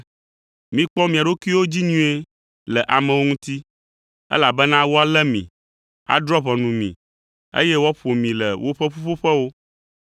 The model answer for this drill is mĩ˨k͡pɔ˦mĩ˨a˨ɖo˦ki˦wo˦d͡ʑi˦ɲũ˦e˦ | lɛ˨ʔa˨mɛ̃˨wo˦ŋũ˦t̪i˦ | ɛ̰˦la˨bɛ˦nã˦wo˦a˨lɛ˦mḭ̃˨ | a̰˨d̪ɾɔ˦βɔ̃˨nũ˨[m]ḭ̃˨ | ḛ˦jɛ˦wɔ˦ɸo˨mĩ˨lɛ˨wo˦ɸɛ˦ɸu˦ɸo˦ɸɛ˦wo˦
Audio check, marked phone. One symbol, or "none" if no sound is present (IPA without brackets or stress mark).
m